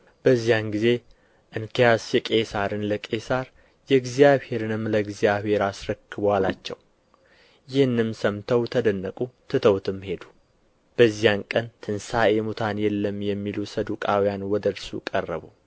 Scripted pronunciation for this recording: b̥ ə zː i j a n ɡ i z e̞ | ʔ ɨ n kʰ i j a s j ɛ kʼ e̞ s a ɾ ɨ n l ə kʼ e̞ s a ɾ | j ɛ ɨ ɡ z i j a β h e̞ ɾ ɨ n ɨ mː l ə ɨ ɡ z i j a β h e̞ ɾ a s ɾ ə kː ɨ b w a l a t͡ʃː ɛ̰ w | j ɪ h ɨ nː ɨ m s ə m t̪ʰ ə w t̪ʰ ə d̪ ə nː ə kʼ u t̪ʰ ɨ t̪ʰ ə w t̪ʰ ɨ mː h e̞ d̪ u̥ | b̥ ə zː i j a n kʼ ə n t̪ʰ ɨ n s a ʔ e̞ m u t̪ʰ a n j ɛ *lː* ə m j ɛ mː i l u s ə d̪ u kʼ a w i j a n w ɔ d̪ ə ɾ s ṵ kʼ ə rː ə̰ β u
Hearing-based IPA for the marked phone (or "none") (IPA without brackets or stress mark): lː